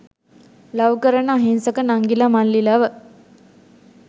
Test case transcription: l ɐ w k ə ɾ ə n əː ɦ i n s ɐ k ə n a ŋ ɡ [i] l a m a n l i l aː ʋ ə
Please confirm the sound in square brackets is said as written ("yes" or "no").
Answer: yes